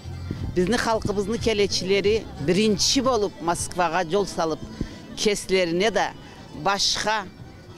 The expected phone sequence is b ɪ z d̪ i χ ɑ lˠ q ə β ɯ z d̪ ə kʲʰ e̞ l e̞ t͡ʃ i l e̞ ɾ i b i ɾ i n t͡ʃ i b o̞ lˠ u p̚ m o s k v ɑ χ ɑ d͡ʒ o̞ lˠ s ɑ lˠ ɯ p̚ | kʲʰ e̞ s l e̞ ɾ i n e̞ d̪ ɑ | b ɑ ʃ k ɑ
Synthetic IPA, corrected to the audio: b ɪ z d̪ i χ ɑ lˠ q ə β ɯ z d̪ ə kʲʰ e̞ l e̞ t͡ʃ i l e̞ ɾ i b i ɾ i n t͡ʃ i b o̞ lˠ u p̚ m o s k v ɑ ʁ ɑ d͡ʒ o̞ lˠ s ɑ lˠ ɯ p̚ | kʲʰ e̞ s l e̞ ɾ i n e̞ d̪ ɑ | b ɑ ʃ q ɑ